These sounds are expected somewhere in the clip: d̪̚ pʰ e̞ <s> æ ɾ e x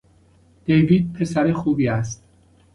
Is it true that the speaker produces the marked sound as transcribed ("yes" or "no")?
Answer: yes